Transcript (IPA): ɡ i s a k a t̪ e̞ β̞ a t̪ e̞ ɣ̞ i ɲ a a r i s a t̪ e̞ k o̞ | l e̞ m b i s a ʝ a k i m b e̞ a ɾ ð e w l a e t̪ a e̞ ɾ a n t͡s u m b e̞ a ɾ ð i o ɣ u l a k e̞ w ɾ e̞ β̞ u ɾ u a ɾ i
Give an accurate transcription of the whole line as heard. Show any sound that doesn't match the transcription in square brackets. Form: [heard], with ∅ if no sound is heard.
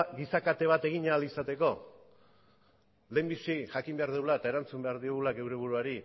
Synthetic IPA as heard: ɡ i s a k a t̪ e̞ β̞ a t̪ e̞ ɣ̞ i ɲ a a [l] i s a t̪ e̞ k o̞ | l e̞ m b i s [i] ʝ a k i m b e̞ a ɾ ð e w l a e t̪ a e̞ ɾ a n t͡s u m b e̞ a ɾ ð i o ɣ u l a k e̞ w ɾ e̞ β̞ u ɾ u a ɾ i